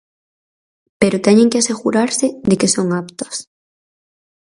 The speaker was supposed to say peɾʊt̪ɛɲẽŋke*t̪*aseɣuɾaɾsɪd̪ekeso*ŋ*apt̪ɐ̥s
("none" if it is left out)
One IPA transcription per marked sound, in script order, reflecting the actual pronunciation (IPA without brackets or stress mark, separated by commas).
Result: none, ŋ